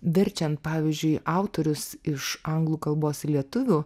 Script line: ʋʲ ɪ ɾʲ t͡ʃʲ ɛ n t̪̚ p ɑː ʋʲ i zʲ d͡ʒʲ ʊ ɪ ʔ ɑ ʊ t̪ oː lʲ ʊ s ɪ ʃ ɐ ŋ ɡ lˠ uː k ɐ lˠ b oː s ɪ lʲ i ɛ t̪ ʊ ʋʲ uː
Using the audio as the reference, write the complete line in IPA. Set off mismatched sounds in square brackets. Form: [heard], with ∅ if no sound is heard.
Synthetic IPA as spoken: ʋʲ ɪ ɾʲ t͡ʃʲ ɛ n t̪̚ p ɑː ʋʲ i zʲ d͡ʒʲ ʊ ɪ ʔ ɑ ʊ t̪ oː [ɾʲ] ʊ s ɪ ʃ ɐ ŋ ɡ lˠ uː k ɐ lˠ b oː s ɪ lʲ i ɛ t̪ ʊ ʋʲ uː